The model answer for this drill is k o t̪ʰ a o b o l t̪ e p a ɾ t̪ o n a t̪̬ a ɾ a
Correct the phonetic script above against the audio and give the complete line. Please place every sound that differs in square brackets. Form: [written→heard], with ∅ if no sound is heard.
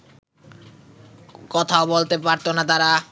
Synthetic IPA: k [o→ɔ] t̪ʰ a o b o l t̪ e p a ɾ t̪ o n a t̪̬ a ɾ a

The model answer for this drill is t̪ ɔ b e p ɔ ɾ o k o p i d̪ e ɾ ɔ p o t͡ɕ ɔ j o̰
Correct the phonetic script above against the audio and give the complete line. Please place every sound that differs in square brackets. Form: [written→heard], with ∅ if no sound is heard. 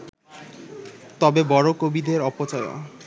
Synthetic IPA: t̪ ɔ b e [p→b] ɔ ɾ o k o [p→b] i d̪ e ɾ ɔ p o t͡ɕ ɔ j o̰

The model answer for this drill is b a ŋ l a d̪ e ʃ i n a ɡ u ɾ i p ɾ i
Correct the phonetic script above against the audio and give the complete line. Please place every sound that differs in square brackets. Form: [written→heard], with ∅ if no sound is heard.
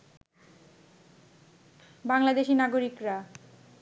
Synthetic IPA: b a ŋ l a d̪ e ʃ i n a ɡ [u→o] ɾ i [p→k] ɾ [i→a]

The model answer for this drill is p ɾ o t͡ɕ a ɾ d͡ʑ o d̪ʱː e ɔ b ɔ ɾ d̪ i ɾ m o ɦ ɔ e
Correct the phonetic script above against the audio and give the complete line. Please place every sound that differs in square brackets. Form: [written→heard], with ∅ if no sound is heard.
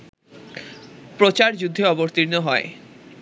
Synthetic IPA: p ɾ o t͡ɕ a ɾ d͡ʑ [o→u] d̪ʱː e ɔ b [ɔ→o] ɾ [d̪→t̪] i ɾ [m→n] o ɦ ɔ e

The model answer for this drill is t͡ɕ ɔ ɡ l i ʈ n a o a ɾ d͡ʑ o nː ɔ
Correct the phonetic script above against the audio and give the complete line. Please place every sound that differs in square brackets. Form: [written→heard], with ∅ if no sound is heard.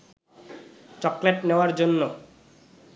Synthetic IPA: t͡ɕ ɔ [ɡ→k] l [i→e] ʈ n [a→e] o a ɾ d͡ʑ o nː [ɔ→o]

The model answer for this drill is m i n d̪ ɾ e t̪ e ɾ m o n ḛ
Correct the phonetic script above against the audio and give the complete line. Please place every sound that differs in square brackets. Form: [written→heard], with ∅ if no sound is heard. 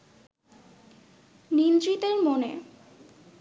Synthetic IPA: [m→n] i n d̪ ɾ [e→i] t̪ e ɾ m o n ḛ

